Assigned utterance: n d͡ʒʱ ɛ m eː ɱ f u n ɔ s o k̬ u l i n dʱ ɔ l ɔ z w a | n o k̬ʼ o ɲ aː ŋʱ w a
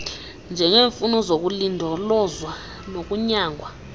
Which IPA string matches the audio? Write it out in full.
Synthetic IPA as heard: n d͡ʒʱ ɛ ŋ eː ɱ f u n ɔ z o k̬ u l i n dʱ ɔ l ɔ z w a | n o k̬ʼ u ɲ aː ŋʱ w a